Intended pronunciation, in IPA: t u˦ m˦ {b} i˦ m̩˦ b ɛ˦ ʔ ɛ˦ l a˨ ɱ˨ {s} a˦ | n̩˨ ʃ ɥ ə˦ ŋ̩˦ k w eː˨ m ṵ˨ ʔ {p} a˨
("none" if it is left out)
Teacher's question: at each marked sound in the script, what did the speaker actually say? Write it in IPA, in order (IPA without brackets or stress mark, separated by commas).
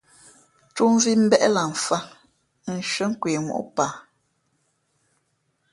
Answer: v, f, p